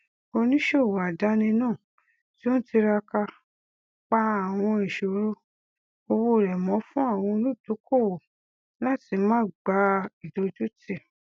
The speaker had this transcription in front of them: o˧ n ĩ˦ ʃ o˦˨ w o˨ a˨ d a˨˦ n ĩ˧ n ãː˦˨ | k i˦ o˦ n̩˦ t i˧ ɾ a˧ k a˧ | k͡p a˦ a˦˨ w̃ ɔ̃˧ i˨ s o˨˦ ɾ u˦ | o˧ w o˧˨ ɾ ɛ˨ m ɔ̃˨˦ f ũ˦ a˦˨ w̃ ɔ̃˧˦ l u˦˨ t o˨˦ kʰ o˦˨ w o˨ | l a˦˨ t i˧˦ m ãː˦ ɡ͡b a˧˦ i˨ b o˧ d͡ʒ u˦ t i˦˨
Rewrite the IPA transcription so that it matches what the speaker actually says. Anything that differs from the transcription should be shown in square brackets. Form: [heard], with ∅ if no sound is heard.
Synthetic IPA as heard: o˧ n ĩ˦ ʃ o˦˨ w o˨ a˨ d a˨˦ n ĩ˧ n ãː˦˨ | [t] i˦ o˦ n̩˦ t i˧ ɾ a˧ k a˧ | k͡p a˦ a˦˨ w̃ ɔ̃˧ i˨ [ʃ] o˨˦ ɾ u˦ | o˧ w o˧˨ ɾ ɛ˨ m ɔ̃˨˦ f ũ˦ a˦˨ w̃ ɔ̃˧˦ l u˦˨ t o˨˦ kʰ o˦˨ w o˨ | l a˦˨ t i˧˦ m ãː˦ ɡ͡b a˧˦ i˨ [d] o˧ d͡ʒ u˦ t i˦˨